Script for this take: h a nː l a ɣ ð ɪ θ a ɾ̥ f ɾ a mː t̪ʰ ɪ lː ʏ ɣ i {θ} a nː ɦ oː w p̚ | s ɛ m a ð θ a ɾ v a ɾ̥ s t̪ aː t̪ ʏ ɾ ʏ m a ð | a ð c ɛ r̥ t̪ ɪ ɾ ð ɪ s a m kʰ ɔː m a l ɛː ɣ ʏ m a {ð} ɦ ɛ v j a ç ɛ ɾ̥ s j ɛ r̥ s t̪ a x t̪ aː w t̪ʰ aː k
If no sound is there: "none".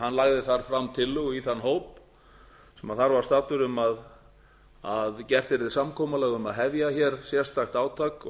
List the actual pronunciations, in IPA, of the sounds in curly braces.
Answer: θ, ð

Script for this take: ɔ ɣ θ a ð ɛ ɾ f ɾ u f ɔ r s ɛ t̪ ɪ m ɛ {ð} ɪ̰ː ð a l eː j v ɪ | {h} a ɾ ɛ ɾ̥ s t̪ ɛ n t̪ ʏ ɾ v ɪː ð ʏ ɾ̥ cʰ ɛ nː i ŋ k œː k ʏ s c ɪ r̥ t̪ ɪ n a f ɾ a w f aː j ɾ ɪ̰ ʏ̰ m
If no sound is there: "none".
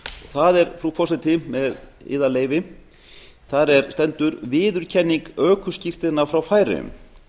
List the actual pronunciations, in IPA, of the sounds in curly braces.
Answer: ð, θ

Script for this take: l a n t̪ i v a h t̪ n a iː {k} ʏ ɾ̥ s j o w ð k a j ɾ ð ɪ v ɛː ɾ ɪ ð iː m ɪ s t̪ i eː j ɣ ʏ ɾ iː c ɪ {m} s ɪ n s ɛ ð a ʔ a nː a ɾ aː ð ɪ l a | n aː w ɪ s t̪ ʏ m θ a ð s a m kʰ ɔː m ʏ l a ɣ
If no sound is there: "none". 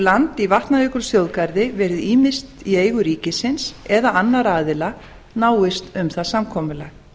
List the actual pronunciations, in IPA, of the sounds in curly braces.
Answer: k, none

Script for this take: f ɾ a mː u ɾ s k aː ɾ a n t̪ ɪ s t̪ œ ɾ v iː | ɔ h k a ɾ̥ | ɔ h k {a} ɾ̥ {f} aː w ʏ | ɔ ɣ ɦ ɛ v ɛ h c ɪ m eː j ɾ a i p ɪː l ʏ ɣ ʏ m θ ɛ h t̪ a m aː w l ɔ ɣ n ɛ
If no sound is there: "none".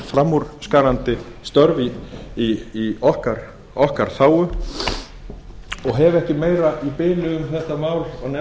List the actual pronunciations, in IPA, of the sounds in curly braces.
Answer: a, θ

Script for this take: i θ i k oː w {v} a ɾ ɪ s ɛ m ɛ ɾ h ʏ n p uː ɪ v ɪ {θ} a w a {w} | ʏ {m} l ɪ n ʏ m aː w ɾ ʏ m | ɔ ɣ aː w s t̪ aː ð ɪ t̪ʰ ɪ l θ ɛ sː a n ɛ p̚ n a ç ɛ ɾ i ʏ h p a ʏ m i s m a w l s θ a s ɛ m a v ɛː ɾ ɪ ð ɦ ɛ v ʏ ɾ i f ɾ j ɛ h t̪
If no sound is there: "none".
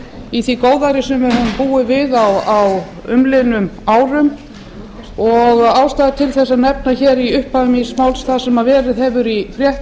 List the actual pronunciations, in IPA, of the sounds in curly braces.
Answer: ð, ð, w, m

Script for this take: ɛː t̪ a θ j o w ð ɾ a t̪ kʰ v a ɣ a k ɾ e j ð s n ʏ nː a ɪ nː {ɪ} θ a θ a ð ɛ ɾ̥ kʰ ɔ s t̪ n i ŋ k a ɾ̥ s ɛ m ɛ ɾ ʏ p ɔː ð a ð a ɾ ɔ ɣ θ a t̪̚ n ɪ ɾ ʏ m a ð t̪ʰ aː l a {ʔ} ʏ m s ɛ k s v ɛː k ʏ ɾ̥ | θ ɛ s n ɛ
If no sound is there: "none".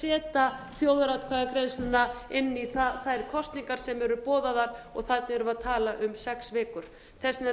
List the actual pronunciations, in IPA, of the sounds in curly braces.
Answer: i, ʔ

